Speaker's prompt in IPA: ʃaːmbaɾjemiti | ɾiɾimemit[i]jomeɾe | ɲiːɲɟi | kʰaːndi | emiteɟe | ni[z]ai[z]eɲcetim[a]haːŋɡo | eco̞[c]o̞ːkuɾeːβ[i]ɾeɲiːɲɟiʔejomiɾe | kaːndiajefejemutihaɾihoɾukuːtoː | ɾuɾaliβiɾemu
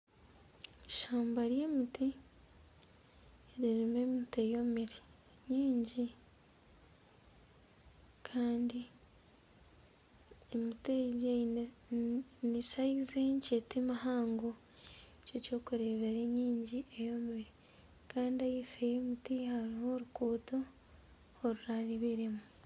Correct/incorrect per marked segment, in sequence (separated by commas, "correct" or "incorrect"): incorrect, incorrect, correct, correct, correct, incorrect